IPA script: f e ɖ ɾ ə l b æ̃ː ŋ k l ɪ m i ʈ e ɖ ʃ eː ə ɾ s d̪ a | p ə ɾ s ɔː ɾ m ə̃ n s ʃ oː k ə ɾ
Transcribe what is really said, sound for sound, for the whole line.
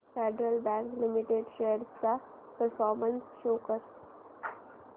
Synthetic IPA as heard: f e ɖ ɾ ə l b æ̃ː ŋ k l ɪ m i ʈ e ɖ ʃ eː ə ɾ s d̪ a | p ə ɾ f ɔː ɾ m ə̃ n s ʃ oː k ə ɾ

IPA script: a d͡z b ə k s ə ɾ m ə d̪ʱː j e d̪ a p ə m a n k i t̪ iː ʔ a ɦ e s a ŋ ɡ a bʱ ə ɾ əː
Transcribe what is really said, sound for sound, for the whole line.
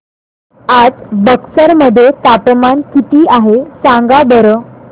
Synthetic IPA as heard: a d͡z b ə k s ə ɾ m ə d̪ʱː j e t̪ a p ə m a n k i t̪ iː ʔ a ɦ e s a ŋ ɡ a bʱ ə ɾ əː

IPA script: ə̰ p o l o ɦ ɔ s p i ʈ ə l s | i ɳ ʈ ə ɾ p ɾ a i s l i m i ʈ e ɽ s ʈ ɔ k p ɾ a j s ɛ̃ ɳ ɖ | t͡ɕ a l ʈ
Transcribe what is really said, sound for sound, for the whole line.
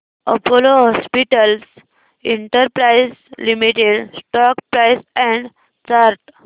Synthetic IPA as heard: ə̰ p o l o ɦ ɔ s p i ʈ ə l s | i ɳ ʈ ə ɾ p ɾ a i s l i m i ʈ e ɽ s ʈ ɔ k p ɾ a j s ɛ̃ ɳ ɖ | t͡ɕ a ɾ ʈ

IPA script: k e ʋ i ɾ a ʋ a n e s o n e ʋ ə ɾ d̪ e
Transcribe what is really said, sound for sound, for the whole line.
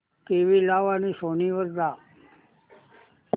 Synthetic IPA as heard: k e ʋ i l a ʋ a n i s o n i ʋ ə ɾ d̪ a

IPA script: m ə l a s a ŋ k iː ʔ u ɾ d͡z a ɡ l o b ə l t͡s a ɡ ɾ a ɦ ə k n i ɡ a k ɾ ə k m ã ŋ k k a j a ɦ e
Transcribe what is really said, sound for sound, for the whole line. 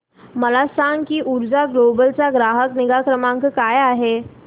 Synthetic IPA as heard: m ə l a s a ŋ k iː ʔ u ɾ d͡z a ɡ l o b ə l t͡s a ɡ ɾ a ɦ ə k n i ɡ a k ɾ ə m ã ŋ k k a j a ɦ e

